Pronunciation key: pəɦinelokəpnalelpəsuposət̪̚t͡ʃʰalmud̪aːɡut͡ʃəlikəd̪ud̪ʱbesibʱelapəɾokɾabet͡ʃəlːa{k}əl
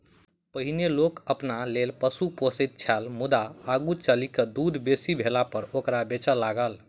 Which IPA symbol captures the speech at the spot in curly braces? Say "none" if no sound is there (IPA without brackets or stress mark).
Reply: ɡ